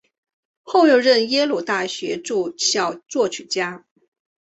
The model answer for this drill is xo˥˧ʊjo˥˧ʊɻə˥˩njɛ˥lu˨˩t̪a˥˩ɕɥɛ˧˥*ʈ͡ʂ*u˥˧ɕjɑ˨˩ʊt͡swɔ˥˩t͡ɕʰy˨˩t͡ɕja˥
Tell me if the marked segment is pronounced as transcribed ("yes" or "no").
yes